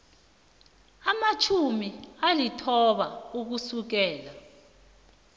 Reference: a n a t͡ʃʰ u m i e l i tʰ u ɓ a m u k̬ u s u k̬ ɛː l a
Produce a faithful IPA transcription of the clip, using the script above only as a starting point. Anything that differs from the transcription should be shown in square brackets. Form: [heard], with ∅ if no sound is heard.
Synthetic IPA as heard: a [m] a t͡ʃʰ u m i [a] l i tʰ [ɔ] ɓ a [∅] u k̬ u s u k̬ ɛː l a